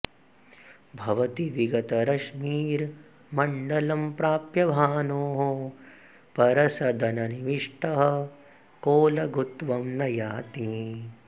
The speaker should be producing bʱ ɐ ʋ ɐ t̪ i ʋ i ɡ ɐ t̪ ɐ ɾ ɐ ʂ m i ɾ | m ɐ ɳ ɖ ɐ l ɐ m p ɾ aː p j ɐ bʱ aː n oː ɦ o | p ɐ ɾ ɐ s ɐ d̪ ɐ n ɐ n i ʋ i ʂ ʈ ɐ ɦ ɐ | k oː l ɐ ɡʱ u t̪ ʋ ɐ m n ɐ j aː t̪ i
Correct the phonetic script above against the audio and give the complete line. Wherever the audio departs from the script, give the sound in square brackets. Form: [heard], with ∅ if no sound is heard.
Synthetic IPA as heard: bʱ ɐ ʋ ɐ t̪ i ʋ i ɡ ɐ t̪ ɐ ɾ ɐ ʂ m [iː] ɾ | m ɐ ɳ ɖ ɐ l ɐ m p ɾ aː p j ɐ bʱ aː n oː ɦ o | p ɐ ɾ ɐ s ɐ d̪ ɐ n ɐ n i ʋ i ʂ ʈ ɐ ɦ ɐ | k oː l ɐ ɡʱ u t̪ ʋ ɐ m n ɐ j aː t̪ i